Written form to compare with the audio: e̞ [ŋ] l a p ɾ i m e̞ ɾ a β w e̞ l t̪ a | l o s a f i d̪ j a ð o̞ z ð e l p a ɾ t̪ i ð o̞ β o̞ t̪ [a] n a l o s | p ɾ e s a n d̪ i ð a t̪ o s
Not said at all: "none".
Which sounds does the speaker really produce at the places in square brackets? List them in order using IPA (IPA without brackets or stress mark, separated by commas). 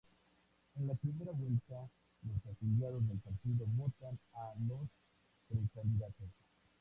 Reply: n, a